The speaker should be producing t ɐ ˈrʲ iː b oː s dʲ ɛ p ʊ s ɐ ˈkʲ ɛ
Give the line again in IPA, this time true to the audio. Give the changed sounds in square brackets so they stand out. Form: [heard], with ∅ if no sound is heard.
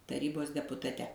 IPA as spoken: t ɐ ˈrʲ iː b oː s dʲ ɛ p ʊ [t] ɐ [ˈtʲ] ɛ